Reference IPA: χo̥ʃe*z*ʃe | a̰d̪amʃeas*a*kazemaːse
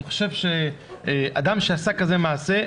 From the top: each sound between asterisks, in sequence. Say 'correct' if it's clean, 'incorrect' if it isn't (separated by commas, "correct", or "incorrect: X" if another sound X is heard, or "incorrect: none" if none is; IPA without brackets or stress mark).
incorrect: v, correct